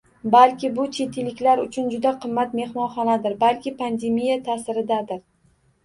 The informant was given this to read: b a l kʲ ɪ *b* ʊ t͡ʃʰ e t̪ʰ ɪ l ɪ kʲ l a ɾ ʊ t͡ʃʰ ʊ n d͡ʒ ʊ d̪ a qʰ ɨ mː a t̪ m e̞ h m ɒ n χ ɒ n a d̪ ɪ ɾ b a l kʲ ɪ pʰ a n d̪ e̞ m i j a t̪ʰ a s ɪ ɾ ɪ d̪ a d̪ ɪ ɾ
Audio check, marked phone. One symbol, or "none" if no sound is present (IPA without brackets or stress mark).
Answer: b